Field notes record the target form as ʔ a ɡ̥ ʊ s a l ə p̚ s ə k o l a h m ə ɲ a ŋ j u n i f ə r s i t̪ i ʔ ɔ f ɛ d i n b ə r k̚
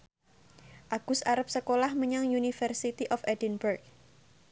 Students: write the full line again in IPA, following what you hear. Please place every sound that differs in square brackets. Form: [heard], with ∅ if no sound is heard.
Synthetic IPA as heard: ʔ a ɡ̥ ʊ s a [ɾ] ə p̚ s ə k o l a h m ə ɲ a ŋ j u n i f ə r s i t̪ i ʔ ɔ f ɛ d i n b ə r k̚